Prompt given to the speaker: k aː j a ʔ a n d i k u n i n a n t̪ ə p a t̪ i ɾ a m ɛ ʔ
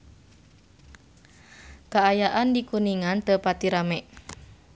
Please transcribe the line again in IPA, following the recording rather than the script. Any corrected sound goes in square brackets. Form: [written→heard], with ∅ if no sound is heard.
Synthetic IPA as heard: k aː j a ʔ a n d i k u n i [n→ŋ] a n t̪ ə p a t̪ i ɾ a m ɛ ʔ